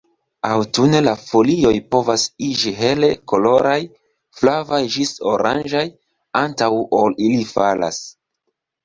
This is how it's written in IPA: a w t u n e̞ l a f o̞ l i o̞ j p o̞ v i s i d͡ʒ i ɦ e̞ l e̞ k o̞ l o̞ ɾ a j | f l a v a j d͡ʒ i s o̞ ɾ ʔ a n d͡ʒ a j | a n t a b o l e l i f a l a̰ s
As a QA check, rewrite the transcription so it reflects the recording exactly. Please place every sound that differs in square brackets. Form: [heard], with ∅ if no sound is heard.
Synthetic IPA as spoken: a w t u n e̞ l a f o̞ l i o̞ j p o̞ v [a] s i d͡ʒ i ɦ e̞ l e̞ k o̞ l o̞ ɾ a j | f l a v a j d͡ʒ i s o̞ ɾ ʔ a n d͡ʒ a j | a n t a [w] o l [i] l i f a l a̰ s